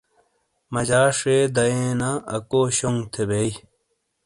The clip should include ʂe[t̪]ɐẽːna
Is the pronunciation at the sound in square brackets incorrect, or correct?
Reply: incorrect